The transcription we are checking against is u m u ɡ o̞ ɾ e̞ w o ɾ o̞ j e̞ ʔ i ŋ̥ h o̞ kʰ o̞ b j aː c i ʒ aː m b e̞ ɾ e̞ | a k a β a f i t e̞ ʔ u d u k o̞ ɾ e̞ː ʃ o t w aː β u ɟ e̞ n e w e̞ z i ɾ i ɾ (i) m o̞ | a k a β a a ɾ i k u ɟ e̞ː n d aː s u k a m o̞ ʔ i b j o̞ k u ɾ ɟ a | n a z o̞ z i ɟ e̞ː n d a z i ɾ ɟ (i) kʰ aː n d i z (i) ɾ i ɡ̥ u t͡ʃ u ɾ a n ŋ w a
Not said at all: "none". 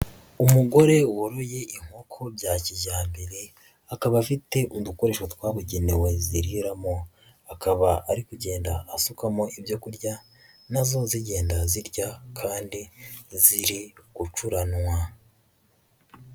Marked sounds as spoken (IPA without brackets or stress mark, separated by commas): a, a, i